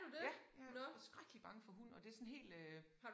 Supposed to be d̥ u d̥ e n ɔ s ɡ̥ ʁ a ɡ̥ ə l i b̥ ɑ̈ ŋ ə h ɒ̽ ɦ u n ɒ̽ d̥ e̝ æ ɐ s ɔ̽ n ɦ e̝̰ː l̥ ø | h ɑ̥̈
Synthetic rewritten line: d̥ u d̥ e n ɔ s ɡ̥ ʁ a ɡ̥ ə l i b̥ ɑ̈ ŋ ə f ɒ̽ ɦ u n ɒ̽ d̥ e̝ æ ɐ s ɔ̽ n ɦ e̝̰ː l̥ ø | h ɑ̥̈